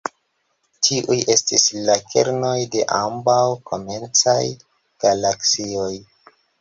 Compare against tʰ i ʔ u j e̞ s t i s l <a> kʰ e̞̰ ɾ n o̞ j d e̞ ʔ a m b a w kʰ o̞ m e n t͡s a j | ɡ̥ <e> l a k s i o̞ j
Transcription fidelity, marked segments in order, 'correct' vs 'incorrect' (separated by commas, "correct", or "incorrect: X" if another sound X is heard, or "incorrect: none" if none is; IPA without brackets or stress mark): correct, incorrect: a